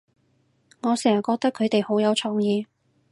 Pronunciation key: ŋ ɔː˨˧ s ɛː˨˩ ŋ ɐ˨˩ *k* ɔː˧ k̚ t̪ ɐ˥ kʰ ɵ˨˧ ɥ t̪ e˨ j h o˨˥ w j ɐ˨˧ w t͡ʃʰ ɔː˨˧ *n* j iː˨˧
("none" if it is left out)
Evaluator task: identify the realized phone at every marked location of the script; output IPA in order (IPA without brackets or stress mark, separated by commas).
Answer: k, ŋ